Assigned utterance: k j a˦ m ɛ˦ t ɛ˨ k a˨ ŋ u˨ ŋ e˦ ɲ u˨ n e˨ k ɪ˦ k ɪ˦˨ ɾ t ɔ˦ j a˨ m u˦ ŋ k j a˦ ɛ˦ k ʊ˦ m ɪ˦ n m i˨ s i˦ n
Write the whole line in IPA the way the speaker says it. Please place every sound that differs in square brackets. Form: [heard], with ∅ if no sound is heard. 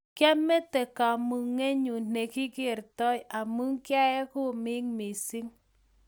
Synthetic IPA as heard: k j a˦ m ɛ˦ t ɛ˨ k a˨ [m] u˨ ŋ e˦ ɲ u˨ n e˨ k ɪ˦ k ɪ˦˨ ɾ t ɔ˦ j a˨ m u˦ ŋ k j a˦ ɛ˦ k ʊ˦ m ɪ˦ [ŋ] m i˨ s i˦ [ŋ]